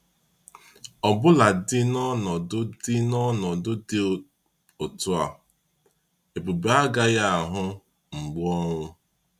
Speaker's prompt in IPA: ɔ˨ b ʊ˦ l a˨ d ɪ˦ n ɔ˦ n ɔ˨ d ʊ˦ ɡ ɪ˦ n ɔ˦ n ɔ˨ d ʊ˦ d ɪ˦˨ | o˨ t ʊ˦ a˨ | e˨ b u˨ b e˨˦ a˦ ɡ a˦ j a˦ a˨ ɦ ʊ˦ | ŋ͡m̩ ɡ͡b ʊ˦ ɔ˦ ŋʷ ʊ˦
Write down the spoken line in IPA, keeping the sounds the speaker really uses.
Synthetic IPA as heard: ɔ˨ b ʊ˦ l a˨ d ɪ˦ n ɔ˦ n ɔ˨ d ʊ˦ d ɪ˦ n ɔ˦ n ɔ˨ d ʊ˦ d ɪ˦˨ | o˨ t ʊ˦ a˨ | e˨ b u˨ b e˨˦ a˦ ɡ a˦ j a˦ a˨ ɦ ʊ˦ | ŋ͡m̩ ɡ͡b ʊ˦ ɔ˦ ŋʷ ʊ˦